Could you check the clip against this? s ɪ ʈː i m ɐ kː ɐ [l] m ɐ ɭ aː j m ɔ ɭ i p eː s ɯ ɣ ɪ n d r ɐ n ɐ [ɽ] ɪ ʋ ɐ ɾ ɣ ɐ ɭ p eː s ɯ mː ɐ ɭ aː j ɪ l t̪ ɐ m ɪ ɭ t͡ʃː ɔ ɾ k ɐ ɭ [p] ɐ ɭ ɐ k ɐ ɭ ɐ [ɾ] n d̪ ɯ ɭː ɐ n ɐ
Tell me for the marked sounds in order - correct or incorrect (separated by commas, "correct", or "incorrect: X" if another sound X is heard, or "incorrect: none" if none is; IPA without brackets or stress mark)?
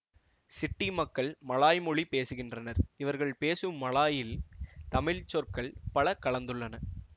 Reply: incorrect: ɭ, incorrect: ɾ, correct, incorrect: none